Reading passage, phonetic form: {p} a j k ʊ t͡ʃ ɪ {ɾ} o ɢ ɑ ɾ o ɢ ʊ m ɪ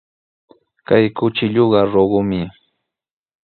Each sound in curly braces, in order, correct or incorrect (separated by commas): incorrect, incorrect